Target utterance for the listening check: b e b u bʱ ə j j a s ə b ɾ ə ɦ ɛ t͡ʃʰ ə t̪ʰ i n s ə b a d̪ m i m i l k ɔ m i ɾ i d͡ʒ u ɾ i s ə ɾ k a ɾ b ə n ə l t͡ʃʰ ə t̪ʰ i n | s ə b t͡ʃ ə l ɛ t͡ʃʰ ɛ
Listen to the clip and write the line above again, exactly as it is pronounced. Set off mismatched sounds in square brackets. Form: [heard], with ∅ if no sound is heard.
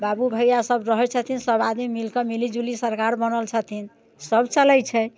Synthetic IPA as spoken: b [a] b u bʱ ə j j a s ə b ɾ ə ɦ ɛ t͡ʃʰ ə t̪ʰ i n s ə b a d̪ m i m i l k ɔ m i [l] i d͡ʒ u [l] i s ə ɾ k a ɾ b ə n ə l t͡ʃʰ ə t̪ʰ i n | s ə b t͡ʃ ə l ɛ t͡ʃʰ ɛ